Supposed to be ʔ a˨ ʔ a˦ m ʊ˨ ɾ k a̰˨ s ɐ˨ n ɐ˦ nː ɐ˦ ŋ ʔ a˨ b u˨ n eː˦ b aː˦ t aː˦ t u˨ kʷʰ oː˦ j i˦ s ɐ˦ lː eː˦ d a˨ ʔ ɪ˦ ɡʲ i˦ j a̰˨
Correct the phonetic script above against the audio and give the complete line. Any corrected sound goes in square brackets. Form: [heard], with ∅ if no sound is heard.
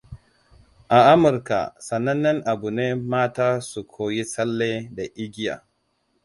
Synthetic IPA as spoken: ʔ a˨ ʔ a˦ m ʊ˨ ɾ k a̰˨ s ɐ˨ n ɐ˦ nː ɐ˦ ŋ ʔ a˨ b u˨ n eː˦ [m] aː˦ t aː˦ [s] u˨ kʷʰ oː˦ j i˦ s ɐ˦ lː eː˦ d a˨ ʔ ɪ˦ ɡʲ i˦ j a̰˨